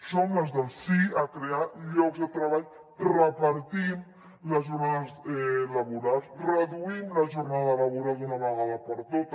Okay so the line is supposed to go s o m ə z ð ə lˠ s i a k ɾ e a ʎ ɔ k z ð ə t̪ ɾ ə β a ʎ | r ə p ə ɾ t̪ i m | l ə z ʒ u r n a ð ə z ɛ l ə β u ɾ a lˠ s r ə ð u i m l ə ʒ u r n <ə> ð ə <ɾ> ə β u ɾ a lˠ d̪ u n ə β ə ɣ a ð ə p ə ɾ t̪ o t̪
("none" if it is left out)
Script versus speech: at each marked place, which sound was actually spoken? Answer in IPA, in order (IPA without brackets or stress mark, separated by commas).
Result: a, l